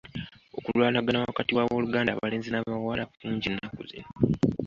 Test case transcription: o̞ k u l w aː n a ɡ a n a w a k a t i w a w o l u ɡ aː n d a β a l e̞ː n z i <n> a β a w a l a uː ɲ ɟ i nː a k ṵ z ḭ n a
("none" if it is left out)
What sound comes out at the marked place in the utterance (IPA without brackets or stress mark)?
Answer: n